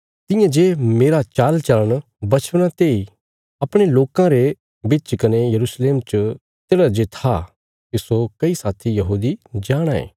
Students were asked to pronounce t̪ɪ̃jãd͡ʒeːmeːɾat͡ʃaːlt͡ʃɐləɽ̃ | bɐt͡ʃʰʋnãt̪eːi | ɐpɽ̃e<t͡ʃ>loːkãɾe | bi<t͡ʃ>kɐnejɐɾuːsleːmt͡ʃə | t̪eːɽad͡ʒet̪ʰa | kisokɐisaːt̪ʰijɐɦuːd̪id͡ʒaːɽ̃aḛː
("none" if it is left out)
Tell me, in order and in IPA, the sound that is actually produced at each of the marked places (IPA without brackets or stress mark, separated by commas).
none, t͡ʃ